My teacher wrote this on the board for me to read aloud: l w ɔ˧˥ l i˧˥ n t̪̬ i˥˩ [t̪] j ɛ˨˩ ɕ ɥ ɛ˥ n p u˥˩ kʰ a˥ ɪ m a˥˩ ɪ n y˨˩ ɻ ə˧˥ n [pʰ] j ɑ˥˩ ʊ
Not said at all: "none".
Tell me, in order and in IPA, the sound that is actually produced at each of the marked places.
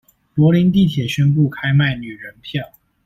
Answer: t̪ʰ, pʰ

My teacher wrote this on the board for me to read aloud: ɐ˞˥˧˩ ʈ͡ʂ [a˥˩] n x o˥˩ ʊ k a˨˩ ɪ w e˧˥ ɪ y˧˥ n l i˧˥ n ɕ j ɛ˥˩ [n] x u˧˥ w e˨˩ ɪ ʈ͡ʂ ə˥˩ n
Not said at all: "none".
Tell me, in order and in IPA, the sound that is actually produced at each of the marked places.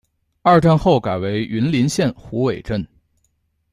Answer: a˥˧, n

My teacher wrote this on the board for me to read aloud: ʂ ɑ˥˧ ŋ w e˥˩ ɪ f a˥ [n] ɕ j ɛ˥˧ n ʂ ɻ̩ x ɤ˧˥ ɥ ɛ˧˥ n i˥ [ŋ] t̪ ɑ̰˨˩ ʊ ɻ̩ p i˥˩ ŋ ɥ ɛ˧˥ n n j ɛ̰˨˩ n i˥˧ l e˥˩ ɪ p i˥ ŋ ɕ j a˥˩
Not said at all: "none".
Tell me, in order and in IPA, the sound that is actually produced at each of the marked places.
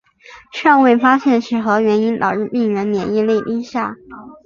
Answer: none, n

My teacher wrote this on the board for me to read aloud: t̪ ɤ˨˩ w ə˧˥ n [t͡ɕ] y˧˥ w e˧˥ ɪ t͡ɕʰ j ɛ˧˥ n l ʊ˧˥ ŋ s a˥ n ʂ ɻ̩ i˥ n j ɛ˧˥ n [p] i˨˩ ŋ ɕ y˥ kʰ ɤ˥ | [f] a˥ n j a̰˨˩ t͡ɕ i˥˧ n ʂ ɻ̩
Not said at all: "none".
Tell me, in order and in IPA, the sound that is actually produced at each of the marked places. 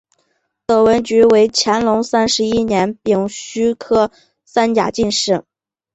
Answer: t͡ɕ, p, s

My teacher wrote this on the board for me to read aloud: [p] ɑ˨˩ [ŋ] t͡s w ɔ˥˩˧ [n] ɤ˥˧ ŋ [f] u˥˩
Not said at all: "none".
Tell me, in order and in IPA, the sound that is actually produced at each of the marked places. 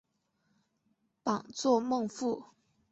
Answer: p, ŋ, m, f

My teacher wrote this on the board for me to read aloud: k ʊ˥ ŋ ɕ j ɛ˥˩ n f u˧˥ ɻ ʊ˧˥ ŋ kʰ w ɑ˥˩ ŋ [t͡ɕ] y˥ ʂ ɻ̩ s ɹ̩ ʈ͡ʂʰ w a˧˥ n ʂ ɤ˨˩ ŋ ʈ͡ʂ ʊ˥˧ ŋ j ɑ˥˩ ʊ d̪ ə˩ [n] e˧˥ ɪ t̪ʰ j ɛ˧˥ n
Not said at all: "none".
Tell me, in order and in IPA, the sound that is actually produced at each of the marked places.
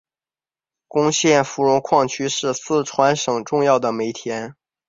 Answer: t͡ɕʰ, m

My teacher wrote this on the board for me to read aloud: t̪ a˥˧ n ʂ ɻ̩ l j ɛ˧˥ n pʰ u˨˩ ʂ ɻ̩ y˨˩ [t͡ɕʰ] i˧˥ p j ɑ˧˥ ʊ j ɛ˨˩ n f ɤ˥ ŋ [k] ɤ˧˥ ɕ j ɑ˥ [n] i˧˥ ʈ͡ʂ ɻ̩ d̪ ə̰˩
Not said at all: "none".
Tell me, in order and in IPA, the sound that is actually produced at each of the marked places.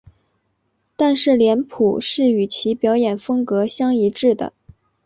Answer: t͡ɕʰ, k, ŋ

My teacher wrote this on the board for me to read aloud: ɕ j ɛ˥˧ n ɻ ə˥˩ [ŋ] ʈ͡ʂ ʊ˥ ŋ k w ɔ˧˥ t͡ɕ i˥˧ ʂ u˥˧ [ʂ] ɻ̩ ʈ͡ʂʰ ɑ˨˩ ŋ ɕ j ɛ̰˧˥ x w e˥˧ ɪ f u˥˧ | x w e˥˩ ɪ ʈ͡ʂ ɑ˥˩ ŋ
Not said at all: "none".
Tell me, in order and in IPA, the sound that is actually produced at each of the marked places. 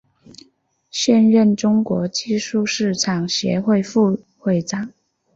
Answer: n, ʂ

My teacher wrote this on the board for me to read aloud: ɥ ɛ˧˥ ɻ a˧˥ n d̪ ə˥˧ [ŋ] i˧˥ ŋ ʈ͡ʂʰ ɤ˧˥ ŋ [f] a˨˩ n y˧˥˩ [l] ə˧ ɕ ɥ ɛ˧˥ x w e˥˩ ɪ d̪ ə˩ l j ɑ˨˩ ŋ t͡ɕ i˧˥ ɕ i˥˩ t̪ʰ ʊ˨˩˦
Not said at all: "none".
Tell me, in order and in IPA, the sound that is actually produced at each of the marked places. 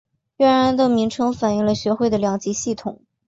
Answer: m, f, l

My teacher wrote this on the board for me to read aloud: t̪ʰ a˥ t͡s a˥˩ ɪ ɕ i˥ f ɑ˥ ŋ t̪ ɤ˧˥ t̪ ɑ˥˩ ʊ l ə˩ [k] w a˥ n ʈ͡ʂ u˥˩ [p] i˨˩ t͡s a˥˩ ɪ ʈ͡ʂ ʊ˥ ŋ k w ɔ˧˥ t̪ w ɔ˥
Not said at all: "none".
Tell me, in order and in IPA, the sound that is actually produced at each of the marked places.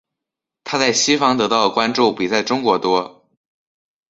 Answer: k, p

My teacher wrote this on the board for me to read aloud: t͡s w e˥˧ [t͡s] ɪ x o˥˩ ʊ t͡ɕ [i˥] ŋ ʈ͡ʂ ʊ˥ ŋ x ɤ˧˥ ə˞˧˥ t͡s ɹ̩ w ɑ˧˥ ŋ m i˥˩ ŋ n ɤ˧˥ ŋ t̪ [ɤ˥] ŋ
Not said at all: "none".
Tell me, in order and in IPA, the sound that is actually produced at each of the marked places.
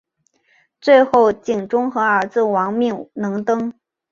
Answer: none, i˨˩, ɤ˥

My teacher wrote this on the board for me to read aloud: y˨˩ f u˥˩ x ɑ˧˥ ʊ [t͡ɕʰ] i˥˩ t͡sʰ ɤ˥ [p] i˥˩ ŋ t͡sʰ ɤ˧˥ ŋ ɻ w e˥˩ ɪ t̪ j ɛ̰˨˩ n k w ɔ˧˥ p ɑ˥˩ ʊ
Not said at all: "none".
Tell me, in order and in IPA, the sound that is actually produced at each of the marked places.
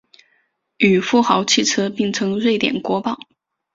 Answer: t͡ɕʰ, p

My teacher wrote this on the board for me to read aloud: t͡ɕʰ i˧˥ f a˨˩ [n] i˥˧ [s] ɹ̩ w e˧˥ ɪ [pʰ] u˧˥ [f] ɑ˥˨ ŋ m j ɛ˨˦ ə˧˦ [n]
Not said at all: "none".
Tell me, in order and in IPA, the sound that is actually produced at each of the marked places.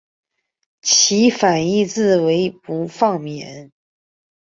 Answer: n, t͡s, p, f, n

